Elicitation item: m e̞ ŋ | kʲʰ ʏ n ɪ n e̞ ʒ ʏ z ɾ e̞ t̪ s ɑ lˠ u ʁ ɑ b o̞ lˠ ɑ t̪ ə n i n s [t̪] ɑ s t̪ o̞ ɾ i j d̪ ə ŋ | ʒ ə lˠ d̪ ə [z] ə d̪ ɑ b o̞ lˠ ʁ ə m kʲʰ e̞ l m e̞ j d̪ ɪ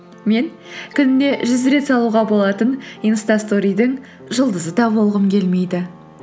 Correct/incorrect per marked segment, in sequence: correct, correct

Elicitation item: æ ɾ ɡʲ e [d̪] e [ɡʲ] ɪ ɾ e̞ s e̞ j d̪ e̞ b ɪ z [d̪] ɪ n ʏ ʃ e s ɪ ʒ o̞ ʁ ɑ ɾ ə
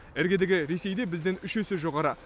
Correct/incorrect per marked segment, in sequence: correct, correct, correct

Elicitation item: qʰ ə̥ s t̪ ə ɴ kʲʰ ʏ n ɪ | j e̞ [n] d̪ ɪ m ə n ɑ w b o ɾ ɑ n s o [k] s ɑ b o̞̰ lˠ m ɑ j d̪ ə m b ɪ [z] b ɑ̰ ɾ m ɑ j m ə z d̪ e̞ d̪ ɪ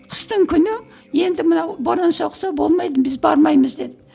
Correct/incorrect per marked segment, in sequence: correct, incorrect: q, correct

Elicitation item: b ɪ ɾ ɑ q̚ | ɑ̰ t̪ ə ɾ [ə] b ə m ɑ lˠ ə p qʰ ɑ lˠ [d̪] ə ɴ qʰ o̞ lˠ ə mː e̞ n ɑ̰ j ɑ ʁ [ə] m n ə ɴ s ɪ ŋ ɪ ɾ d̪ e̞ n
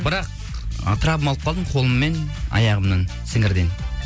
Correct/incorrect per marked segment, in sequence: incorrect: ɑ, correct, correct

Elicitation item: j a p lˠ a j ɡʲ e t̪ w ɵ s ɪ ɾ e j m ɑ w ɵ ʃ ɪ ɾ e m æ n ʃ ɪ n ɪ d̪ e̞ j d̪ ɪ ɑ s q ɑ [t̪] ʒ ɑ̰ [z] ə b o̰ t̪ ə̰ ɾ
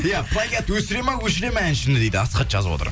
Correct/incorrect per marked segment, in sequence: correct, correct

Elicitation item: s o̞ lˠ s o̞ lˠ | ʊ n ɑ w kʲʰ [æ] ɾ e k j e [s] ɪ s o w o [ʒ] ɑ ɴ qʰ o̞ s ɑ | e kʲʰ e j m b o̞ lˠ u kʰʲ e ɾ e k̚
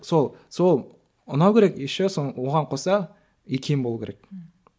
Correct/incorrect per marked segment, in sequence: incorrect: e, incorrect: ʃ, incorrect: ʁ

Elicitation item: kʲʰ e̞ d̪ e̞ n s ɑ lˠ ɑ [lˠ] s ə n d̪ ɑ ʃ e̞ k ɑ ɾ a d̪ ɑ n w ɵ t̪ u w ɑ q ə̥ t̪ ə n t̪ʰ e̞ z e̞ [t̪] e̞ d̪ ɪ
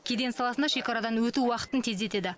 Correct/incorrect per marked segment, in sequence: incorrect: none, correct

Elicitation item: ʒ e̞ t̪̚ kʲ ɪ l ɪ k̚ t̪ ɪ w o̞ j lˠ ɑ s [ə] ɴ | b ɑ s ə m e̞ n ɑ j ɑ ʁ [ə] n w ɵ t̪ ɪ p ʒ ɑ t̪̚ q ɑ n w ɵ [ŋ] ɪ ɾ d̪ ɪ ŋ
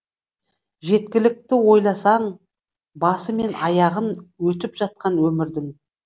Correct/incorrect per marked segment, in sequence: incorrect: ɑ, correct, incorrect: m

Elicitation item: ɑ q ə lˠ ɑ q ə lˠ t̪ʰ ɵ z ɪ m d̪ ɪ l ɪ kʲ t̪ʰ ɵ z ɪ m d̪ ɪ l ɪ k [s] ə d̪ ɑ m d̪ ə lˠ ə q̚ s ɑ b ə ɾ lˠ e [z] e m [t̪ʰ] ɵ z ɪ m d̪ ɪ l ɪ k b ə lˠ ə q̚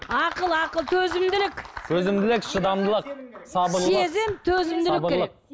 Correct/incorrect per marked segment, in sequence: incorrect: ʃ, correct, correct

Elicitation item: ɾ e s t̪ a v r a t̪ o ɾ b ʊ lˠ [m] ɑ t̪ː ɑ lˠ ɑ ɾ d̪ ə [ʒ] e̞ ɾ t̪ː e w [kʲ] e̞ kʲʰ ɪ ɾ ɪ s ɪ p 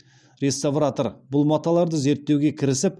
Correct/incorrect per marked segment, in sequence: correct, incorrect: z, incorrect: ɡʲ

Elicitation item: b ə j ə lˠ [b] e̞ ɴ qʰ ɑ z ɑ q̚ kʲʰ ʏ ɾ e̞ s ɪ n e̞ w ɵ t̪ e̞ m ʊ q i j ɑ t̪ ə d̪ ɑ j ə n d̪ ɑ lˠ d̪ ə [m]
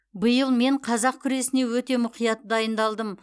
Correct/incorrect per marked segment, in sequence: incorrect: m, correct

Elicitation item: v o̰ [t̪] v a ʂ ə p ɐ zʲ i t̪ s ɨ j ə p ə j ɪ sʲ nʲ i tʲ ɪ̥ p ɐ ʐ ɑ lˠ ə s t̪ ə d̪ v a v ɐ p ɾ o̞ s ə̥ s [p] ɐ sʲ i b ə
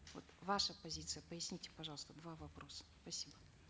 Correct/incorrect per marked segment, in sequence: correct, correct

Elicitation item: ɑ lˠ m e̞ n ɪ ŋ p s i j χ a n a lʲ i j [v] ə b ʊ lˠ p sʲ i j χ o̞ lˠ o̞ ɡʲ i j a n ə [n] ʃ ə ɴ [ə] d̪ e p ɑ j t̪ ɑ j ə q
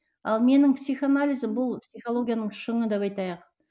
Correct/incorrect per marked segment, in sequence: incorrect: z, incorrect: ɴ, correct

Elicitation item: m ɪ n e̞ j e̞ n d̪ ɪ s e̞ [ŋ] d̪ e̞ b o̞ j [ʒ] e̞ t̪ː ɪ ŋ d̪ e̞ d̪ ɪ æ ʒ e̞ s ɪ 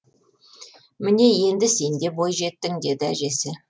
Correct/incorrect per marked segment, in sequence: incorrect: n, correct

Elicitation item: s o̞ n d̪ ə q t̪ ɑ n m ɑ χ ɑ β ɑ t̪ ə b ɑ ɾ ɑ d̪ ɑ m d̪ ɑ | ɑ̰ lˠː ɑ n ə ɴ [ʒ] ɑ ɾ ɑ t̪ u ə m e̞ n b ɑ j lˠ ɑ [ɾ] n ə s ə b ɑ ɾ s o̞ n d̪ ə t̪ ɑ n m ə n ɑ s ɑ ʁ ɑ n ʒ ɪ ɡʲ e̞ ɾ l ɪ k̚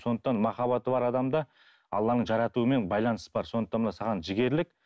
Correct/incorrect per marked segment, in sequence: correct, incorrect: none

